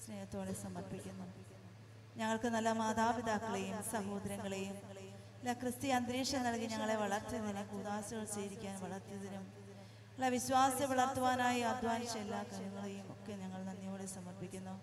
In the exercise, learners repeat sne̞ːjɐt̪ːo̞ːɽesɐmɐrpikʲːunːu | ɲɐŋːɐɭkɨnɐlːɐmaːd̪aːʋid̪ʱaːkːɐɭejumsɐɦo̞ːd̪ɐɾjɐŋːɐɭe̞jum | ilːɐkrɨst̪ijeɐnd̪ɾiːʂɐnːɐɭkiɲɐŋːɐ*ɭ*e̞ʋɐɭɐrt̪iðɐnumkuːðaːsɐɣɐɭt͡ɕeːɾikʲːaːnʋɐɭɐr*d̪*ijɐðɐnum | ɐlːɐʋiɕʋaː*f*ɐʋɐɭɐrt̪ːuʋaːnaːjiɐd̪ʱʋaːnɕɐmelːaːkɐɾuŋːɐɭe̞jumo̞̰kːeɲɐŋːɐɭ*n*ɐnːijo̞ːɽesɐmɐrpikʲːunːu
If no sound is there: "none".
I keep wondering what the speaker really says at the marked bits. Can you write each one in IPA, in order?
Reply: ɭ, t̪, s, n

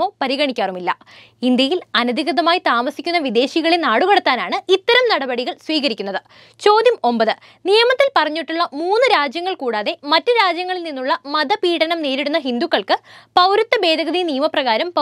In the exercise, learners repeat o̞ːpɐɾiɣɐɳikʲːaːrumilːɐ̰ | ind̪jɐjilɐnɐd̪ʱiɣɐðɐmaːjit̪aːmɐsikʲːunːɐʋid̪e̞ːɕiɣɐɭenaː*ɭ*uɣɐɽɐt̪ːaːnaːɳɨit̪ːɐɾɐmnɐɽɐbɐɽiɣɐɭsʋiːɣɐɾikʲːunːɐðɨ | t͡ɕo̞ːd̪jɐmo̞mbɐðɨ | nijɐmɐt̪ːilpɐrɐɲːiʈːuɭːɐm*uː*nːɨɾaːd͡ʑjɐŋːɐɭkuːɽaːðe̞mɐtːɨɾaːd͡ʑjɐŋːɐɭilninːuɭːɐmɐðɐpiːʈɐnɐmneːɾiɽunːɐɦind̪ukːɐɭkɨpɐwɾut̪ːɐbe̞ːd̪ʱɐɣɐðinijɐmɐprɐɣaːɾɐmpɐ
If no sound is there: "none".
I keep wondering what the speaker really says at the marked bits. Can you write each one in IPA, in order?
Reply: ɽ, uː

